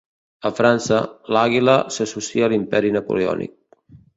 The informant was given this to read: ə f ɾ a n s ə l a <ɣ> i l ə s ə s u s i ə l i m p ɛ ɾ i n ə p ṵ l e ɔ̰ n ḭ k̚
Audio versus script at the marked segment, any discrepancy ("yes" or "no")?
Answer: no